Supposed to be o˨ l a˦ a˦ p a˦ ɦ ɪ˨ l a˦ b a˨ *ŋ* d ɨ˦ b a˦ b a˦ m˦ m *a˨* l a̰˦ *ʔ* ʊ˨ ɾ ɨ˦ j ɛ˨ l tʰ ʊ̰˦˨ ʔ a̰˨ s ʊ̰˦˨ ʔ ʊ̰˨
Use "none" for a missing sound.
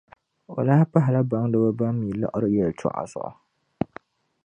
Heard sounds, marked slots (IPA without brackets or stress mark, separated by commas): ŋ, i˨, ʔ